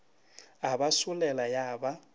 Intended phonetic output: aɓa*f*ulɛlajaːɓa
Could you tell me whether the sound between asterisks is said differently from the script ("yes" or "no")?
yes